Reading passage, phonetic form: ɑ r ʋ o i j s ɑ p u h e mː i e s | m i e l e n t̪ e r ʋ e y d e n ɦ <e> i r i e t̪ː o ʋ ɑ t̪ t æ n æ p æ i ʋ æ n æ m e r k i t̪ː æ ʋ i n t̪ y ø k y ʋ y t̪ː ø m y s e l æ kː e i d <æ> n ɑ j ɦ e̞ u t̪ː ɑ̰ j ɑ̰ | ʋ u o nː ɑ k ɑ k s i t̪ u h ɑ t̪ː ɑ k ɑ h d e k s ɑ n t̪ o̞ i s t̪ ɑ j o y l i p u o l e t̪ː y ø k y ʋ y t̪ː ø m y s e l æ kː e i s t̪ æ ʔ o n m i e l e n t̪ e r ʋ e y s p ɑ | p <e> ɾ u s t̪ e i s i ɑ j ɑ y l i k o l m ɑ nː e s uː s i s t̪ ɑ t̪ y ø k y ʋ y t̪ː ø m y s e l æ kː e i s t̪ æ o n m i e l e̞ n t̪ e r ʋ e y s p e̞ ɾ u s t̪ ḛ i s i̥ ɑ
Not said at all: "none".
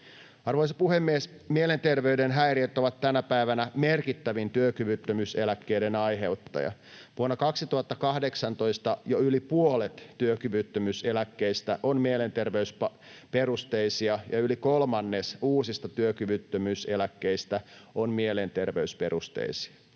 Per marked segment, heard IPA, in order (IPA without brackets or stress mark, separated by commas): æ, e, e